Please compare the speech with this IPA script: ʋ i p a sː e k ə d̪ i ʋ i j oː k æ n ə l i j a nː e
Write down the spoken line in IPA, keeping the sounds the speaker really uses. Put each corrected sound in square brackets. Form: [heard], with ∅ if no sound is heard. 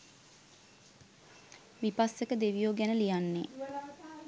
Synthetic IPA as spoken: ʋ i p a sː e k ə d̪ [e] ʋ i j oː [ɡ] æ n ə l i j a nː e